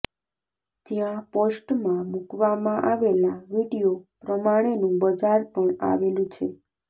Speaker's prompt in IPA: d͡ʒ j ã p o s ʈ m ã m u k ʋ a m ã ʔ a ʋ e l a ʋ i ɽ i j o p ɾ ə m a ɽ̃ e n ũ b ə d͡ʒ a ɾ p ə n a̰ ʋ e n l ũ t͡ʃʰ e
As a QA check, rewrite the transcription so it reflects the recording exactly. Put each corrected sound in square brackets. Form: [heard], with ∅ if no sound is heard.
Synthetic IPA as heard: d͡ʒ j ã p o s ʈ m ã m u k ʋ a m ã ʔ a ʋ e l a ʋ i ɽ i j o p ɾ ə m a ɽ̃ e n ũ b ə d͡ʒ a ɾ p ə [ɳ] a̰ ʋ e [∅] l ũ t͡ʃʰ e